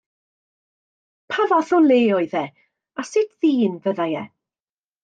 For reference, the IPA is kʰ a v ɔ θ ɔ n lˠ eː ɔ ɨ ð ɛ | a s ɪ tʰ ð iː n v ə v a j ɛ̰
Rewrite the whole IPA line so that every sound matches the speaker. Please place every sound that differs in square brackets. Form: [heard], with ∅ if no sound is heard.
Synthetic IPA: [pʰ] a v ɔ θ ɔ n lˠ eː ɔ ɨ ð ɛ | a s ɪ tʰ ð iː n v ə [ð] a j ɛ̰